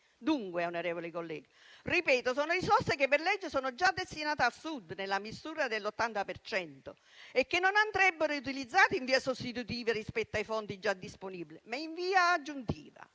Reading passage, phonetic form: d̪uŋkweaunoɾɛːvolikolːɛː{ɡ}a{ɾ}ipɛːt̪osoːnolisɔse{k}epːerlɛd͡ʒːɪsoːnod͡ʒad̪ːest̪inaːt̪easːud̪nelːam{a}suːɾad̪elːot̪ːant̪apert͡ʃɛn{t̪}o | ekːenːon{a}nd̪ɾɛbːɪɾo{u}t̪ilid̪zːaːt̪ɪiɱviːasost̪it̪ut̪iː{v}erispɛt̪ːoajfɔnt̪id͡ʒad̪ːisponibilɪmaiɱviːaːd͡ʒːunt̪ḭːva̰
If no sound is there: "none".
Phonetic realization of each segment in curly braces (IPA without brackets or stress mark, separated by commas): ɡ, r, k, i, t̪, a, u, v